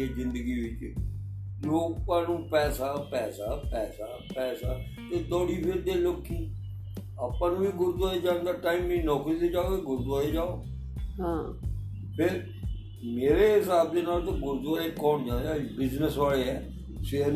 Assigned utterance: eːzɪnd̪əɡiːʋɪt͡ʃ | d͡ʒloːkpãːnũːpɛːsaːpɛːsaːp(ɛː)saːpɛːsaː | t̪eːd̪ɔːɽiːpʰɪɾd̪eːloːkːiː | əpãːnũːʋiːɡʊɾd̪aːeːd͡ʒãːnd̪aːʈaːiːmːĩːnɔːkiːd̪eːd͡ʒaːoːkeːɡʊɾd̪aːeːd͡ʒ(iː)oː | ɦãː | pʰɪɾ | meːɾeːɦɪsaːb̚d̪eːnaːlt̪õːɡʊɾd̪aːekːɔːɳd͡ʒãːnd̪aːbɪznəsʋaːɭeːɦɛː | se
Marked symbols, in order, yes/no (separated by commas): yes, no